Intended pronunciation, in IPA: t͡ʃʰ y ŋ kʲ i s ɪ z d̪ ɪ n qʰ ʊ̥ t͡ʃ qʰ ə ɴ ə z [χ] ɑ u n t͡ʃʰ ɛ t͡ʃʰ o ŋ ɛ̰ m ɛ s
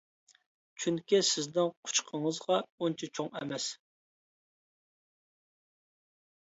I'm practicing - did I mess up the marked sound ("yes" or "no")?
yes